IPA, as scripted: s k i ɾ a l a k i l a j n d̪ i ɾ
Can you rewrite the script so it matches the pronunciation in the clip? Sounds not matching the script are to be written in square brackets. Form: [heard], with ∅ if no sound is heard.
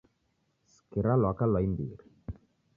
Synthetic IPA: s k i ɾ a l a k [a] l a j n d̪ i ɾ